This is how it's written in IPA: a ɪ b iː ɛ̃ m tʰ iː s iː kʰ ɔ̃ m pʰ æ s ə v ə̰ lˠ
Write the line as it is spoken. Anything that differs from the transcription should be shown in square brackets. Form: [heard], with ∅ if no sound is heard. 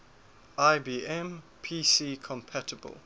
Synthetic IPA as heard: a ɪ b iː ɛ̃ m [pʰ] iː s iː kʰ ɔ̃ m pʰ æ [t] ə [b] ə̰ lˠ